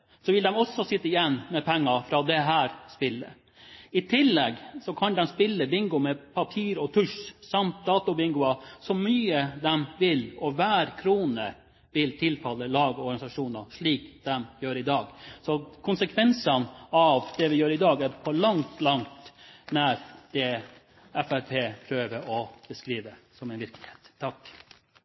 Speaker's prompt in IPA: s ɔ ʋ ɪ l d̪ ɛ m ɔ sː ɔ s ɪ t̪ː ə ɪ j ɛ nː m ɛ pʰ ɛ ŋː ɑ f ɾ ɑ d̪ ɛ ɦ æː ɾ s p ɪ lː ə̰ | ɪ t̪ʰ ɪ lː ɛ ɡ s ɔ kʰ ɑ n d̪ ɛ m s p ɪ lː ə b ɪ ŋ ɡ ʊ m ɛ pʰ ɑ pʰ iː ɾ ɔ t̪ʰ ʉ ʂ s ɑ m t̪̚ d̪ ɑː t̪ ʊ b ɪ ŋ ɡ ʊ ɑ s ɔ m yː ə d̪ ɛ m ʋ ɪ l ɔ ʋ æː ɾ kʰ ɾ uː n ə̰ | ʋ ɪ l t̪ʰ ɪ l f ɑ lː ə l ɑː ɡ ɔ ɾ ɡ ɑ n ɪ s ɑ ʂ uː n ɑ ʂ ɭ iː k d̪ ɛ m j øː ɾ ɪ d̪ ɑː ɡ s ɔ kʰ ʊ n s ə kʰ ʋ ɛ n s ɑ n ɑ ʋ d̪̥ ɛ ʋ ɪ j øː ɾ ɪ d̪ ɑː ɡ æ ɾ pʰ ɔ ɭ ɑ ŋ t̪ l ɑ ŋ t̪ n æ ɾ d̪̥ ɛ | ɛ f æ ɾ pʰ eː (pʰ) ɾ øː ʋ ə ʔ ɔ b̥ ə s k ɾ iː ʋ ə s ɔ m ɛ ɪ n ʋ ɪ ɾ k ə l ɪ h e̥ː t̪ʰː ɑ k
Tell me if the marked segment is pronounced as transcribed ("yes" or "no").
yes